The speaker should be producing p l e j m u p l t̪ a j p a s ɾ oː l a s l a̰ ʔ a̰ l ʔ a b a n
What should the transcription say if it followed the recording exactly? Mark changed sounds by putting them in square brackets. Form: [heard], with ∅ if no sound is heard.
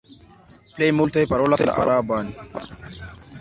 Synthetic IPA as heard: p l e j m u [∅] l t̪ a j p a [∅] ɾ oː l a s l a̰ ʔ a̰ [ɾ] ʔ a b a n